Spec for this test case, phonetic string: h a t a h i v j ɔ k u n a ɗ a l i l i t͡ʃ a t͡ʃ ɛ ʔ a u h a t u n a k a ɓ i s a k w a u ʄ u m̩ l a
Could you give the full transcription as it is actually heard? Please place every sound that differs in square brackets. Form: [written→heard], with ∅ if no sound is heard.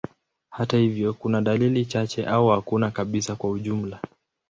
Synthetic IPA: h a t a h i v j ɔ k u n a ɗ a l i l i t͡ʃ a t͡ʃ ɛ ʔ a u h a [t→k] u n a k a ɓ i s a k w a u ʄ u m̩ l a